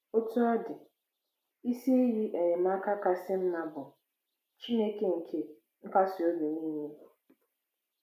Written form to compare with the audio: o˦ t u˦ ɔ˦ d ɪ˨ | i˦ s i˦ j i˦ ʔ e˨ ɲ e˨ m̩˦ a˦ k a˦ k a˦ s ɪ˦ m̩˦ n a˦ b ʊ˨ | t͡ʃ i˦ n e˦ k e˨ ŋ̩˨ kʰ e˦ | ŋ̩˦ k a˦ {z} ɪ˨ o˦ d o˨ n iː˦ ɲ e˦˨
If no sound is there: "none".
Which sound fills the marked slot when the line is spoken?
s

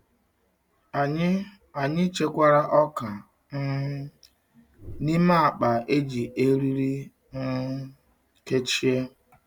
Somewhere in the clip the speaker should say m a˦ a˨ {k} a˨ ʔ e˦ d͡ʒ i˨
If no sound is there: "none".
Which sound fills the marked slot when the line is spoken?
k͡p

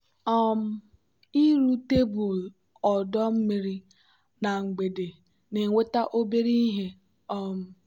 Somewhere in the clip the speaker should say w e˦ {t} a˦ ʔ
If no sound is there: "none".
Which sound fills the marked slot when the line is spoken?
t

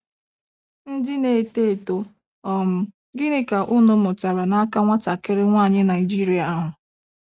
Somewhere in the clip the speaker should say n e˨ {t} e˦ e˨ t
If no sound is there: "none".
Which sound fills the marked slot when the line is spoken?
t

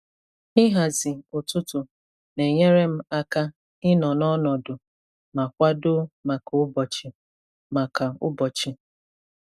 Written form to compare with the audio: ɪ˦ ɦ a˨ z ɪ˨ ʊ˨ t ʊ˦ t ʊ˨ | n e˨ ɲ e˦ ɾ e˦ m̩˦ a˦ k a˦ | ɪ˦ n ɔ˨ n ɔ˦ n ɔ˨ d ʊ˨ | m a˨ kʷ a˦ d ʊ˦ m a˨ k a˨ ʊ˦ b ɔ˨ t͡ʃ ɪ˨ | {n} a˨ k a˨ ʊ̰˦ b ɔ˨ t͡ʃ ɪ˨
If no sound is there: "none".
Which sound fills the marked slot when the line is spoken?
m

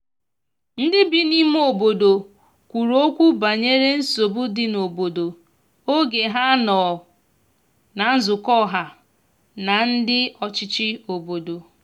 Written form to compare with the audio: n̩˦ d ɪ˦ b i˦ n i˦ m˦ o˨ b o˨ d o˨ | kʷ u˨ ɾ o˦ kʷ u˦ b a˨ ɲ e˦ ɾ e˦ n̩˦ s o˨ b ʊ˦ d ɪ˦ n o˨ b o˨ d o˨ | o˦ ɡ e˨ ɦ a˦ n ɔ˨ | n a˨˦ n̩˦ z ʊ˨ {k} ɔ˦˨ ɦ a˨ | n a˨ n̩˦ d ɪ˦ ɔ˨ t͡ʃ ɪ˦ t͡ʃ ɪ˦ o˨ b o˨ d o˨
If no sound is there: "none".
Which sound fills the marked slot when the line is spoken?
k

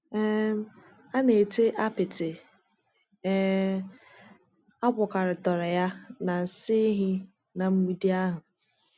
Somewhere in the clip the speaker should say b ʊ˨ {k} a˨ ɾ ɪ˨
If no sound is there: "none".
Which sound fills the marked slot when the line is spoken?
k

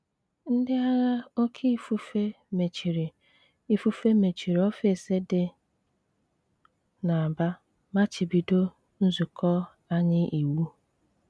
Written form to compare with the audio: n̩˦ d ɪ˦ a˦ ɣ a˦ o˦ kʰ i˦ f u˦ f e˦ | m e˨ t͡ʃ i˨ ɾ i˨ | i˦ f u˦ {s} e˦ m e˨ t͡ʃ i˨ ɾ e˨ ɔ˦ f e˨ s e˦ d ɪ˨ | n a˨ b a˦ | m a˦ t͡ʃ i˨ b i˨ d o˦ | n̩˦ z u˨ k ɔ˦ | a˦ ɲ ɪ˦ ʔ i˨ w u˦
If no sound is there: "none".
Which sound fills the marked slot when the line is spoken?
f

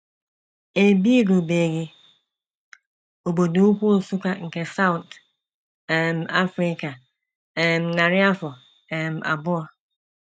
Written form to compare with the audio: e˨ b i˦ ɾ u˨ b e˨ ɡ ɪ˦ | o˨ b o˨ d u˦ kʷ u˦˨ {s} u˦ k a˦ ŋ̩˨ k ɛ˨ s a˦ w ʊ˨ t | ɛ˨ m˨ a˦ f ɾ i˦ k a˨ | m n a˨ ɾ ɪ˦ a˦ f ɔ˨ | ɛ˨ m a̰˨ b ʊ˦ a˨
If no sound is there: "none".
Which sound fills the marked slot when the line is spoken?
s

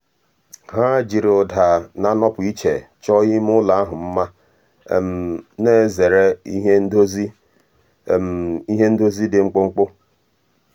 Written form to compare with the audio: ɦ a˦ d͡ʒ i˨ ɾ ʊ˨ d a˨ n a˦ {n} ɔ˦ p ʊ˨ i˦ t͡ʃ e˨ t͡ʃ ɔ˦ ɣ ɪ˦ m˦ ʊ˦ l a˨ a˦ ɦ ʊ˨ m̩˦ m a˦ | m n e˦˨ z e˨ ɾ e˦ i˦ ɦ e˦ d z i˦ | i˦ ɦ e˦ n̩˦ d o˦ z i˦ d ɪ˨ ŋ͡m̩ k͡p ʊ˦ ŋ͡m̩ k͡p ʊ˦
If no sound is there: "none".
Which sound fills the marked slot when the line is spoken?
n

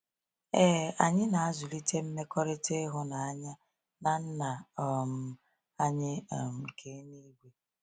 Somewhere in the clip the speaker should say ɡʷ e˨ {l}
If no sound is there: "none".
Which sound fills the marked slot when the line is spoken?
none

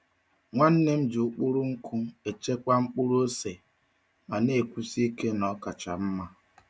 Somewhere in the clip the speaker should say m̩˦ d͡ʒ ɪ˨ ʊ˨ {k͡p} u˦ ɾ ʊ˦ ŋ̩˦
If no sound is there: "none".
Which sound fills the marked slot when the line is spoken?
k͡p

